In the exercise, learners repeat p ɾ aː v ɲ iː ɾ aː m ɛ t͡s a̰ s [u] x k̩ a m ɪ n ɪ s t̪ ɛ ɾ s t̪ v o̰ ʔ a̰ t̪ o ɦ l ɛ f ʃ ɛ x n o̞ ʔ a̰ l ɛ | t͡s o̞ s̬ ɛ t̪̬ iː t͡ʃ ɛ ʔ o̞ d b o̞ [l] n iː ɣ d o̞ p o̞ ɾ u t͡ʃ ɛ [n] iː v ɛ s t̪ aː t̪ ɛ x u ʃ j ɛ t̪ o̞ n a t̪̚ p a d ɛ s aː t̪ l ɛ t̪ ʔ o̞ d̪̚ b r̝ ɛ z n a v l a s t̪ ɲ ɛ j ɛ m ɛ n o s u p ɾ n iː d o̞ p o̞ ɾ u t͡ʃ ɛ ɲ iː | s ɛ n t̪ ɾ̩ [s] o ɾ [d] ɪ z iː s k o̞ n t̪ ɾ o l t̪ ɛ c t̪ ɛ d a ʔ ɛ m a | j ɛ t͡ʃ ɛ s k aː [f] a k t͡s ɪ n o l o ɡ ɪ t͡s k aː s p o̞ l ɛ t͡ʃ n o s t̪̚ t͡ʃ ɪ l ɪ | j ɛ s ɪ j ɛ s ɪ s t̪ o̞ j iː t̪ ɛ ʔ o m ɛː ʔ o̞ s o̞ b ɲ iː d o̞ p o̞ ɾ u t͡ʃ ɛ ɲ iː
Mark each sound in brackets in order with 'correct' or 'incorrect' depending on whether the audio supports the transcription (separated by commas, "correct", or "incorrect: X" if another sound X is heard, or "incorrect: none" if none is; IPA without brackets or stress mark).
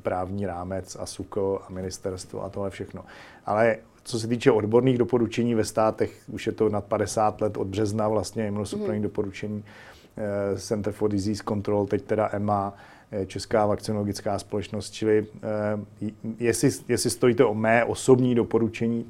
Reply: correct, incorrect: ɾ, incorrect: ɲ, incorrect: f, correct, incorrect: v